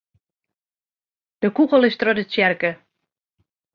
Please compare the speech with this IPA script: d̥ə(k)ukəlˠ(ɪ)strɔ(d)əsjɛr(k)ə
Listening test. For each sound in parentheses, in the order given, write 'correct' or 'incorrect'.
correct, correct, correct, correct

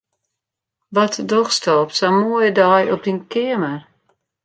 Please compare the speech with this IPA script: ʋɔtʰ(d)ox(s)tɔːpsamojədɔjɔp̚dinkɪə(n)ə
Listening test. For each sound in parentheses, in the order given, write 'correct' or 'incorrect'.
correct, correct, incorrect: m

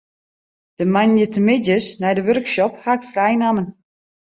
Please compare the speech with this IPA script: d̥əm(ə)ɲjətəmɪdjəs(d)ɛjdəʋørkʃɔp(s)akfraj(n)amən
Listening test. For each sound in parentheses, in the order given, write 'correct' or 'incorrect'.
incorrect: a, incorrect: n, incorrect: h, correct

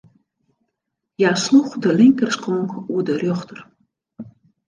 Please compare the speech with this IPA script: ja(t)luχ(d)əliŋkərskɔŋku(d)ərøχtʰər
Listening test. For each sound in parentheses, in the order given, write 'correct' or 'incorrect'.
incorrect: s, correct, correct

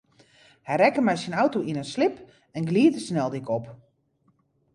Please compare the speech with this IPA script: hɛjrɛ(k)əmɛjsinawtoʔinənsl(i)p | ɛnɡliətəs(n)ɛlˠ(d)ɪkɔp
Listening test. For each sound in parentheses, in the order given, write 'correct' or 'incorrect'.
correct, incorrect: ɪ, correct, correct

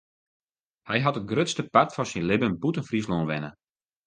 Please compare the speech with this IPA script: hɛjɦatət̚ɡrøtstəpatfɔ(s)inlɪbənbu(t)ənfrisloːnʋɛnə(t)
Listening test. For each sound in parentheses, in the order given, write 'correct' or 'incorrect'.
correct, correct, incorrect: none

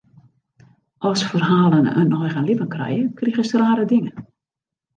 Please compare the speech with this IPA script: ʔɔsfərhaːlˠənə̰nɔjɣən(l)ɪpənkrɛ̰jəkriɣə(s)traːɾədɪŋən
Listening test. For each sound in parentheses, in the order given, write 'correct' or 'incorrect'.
correct, correct

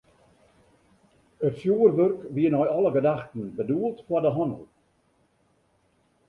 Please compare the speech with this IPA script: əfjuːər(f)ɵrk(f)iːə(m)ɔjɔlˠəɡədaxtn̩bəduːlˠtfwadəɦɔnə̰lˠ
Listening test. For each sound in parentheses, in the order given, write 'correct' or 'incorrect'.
incorrect: v, incorrect: v, incorrect: n

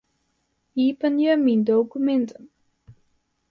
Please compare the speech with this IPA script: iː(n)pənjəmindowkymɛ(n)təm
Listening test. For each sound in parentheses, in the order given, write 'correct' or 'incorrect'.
incorrect: none, correct

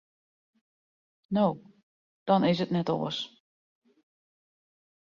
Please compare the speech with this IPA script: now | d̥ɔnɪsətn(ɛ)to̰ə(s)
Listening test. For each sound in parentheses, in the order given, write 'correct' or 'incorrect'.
correct, correct

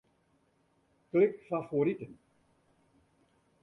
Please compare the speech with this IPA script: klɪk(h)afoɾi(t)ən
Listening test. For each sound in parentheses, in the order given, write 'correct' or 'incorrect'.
incorrect: f, correct

